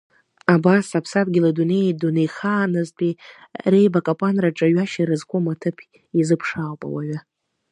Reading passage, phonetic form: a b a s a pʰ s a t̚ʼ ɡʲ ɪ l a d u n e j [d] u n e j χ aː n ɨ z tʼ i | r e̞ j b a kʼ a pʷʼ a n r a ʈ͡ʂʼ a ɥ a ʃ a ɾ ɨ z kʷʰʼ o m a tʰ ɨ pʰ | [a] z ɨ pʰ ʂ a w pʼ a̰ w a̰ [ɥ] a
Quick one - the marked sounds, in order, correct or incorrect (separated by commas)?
correct, incorrect, correct